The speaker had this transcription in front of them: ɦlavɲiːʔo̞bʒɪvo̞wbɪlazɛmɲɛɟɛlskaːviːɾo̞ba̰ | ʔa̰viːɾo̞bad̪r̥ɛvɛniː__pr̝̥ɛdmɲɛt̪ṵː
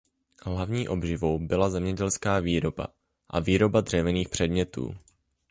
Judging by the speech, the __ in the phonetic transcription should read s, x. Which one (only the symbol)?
x